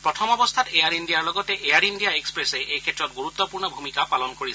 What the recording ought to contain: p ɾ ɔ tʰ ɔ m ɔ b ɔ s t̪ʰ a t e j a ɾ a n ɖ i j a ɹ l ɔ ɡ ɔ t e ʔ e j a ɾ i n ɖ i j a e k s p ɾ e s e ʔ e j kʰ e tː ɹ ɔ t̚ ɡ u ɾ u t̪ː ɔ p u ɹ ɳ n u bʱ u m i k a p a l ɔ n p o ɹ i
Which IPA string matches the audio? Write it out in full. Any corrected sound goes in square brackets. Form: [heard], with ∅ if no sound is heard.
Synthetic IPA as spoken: p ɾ ɔ tʰ ɔ m ɔ b ɔ s t̪ʰ a t e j a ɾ [i] n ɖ i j a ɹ l ɔ ɡ ɔ t e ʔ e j a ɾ i n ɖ i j a e k s p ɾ e s e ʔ e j kʰ e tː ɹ ɔ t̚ ɡ u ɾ u t̪ː ɔ p u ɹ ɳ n [ɔ] bʱ u m i k a p a l ɔ n [k] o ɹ i